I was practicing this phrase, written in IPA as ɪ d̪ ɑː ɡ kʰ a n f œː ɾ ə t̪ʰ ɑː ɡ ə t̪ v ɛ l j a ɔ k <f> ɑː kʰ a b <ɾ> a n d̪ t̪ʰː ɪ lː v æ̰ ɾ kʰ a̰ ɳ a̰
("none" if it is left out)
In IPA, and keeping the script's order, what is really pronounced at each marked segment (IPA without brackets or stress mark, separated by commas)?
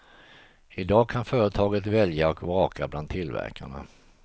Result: v, l